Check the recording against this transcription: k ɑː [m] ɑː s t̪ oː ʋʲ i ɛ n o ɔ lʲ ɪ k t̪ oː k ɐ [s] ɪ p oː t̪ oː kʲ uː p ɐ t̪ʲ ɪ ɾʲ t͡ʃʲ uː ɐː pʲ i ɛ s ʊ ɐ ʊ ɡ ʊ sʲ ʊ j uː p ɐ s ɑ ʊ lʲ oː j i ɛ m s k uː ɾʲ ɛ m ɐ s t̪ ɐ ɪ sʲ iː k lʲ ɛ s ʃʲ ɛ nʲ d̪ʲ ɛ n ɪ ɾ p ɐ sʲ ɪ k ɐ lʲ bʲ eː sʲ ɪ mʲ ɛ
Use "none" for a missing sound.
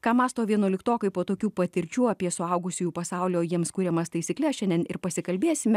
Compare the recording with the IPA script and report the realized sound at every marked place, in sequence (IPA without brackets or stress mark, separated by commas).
m, none